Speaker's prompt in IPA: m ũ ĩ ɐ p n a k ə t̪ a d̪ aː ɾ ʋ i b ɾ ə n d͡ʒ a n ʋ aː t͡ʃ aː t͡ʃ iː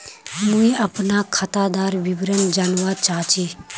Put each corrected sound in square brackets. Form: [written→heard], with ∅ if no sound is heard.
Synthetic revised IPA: m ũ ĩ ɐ p n a [k→kʰ] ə t̪ a d̪ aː ɾ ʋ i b ɾ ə n d͡ʒ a n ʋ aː t͡ʃ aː t͡ʃ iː